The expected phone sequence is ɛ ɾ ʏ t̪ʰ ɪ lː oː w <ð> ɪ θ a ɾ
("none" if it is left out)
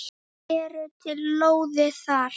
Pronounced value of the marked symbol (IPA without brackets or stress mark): ð